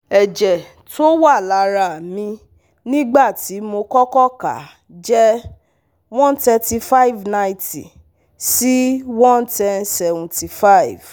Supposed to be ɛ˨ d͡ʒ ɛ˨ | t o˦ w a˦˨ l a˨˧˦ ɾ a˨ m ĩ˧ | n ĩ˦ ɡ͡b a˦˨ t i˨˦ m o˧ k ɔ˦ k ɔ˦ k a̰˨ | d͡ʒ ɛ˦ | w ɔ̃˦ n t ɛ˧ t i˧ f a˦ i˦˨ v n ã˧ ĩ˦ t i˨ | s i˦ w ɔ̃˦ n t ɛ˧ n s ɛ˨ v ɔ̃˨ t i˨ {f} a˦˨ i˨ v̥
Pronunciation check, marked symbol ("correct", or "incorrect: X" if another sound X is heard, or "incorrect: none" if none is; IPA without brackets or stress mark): correct